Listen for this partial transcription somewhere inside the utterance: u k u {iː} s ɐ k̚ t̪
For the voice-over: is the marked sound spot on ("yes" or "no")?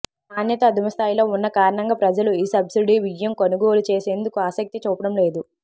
no